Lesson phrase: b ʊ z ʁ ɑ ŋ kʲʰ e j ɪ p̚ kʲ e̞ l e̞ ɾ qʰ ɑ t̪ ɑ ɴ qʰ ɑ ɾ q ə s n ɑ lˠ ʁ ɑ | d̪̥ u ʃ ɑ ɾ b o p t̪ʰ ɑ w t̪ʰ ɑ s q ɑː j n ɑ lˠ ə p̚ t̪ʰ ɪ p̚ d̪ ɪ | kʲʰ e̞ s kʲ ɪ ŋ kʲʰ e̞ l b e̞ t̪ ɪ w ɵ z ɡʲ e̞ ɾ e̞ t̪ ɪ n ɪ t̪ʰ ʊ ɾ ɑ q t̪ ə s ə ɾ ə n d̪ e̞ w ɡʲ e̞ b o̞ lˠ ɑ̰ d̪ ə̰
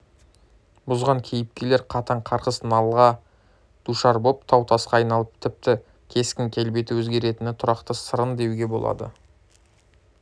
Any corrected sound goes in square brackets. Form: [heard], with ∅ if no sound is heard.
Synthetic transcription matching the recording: b ʊ z ʁ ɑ ŋ kʲʰ e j ɪ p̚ kʲ e̞ l e̞ ɾ qʰ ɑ t̪ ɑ ɴ qʰ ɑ ɾ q ə s n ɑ lˠ ʁ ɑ | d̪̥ u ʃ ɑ ɾ b o p t̪ʰ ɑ w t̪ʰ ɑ s q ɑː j n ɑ lˠ ə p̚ t̪ʰ ɪ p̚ [t̪] ɪ | kʲʰ e̞ s kʲ ɪ ŋ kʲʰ e̞ l b e̞ t̪ ɪ w ɵ z ɡʲ e̞ ɾ e̞ t̪ ɪ n ɪ t̪ʰ ʊ ɾ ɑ q t̪ ə s ə ɾ ə n d̪ e̞ w ɡʲ e̞ b o̞ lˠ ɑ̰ d̪ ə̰